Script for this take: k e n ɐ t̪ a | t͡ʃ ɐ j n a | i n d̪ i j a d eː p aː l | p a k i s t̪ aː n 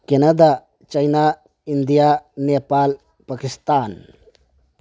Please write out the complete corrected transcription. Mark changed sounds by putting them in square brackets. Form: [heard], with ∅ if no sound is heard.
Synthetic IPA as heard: k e n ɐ [d̪] a | t͡ʃ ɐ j n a | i n d̪ i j a [n] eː p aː l | p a k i s t̪ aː n